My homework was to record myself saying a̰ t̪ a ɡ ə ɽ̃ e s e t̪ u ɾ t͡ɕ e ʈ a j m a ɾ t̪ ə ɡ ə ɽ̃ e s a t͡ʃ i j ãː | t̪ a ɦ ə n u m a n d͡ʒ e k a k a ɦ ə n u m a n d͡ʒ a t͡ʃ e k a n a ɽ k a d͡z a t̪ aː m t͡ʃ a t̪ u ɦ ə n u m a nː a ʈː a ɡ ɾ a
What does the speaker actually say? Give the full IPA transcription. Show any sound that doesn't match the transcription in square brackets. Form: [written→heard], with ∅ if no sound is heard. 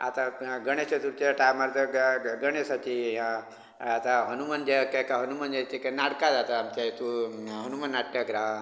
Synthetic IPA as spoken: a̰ t̪ a ɡ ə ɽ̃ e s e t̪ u ɾ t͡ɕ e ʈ a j m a ɾ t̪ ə ɡ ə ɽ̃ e s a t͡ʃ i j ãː | t̪ a ɦ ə n u m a n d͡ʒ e k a k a ɦ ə n u m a n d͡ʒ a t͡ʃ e k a n a ɽ k a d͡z a t̪ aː m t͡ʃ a t̪ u ɦ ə n u m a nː a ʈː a ɡ ɾ a